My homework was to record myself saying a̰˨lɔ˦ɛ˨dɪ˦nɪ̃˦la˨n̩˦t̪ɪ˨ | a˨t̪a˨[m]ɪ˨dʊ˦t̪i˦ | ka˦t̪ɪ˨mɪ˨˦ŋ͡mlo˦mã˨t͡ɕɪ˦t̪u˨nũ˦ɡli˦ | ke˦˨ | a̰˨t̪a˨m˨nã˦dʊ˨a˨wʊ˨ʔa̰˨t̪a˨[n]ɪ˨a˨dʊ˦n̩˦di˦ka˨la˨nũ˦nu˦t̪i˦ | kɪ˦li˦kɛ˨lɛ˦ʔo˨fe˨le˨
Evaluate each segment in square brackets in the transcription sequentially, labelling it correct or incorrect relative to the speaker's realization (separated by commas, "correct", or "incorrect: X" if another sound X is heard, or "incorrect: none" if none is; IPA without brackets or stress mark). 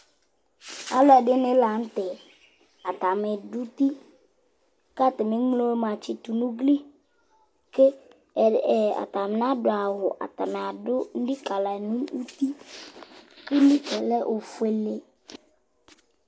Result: correct, incorrect: m